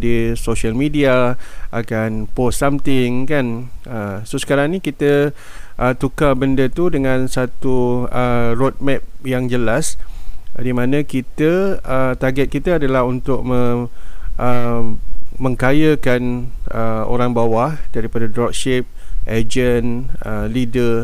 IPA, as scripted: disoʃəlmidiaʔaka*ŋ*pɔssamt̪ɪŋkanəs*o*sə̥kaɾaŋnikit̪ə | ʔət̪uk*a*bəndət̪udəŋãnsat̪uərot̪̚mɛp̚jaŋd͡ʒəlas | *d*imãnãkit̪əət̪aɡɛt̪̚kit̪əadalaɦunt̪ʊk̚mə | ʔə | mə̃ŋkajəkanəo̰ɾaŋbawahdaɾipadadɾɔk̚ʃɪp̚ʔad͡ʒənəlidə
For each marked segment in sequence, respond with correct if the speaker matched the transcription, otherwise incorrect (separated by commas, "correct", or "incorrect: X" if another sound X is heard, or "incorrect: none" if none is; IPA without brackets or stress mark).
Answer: incorrect: n, correct, correct, correct